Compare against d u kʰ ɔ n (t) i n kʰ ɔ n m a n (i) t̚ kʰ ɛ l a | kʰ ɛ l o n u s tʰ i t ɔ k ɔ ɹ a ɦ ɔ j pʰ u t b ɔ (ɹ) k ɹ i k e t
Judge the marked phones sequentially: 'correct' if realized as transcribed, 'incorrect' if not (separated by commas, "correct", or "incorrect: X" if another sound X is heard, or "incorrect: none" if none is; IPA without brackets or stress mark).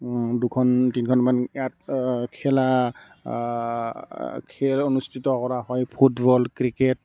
correct, incorrect: a, incorrect: l